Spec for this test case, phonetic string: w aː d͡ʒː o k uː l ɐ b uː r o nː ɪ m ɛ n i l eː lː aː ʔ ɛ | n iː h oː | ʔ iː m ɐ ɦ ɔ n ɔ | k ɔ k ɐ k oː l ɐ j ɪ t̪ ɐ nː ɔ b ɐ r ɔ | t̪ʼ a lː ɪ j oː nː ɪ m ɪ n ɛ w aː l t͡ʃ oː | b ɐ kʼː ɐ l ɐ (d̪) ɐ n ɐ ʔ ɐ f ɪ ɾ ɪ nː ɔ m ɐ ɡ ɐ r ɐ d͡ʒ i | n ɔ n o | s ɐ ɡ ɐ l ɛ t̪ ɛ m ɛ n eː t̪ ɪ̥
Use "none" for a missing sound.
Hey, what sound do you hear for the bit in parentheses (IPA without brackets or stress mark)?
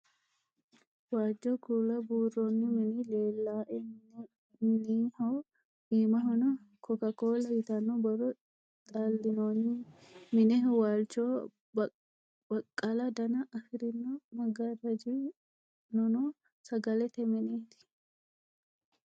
d̪